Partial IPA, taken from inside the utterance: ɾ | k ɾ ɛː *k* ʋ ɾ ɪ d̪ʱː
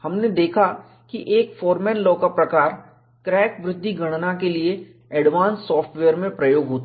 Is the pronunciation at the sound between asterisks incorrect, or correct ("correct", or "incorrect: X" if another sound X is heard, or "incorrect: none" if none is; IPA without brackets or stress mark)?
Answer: correct